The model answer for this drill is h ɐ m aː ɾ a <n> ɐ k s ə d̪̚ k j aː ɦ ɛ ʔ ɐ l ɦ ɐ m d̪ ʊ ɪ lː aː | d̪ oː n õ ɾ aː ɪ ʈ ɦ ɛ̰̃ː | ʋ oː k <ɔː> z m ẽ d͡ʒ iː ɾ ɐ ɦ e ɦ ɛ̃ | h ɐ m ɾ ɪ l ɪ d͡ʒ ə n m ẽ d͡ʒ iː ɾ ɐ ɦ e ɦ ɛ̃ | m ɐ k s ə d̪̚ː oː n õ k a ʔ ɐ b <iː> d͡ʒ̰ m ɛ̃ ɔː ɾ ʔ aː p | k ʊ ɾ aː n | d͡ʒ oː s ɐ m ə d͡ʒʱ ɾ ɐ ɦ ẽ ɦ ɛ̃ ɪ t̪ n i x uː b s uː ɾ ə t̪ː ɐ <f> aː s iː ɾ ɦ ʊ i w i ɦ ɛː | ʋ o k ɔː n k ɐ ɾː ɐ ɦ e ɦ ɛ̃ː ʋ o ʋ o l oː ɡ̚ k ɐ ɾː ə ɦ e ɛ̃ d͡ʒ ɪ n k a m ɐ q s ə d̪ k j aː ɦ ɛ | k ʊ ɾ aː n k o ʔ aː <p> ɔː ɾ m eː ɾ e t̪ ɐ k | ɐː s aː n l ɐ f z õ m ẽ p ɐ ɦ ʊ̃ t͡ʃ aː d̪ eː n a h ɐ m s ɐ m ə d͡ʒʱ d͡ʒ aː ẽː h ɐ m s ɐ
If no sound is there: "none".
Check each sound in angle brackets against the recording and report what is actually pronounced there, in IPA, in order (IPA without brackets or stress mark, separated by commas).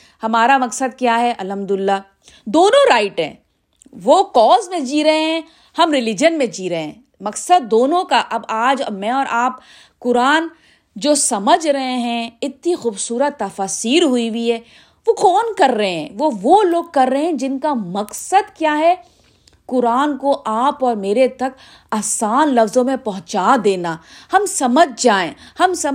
m, ɔː, aː, f, p